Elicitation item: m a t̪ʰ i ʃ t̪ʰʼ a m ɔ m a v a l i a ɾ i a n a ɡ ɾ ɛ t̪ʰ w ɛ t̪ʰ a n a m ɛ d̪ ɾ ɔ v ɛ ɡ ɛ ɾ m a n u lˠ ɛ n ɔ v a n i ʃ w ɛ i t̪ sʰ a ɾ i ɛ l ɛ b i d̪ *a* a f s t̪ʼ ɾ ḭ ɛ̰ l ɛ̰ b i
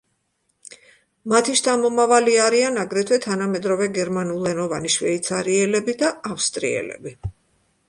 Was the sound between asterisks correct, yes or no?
yes